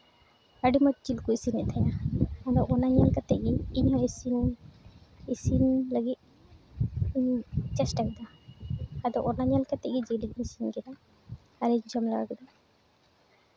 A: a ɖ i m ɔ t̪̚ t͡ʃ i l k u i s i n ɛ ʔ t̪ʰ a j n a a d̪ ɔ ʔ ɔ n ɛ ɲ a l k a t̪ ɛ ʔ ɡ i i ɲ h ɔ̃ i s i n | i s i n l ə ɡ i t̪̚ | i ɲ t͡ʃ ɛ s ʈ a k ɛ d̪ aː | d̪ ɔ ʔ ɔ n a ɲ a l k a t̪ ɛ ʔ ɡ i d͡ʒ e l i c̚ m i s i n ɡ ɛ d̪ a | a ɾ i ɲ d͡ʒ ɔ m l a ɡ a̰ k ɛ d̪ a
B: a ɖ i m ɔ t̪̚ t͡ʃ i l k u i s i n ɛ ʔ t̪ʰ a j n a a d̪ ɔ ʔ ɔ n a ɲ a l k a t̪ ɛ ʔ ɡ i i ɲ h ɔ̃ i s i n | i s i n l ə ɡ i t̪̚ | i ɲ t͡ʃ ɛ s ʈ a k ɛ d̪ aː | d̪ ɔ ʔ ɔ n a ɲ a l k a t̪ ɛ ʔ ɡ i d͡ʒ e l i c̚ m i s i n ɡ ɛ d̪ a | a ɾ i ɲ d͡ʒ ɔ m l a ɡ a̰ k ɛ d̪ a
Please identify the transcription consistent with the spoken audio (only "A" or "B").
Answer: B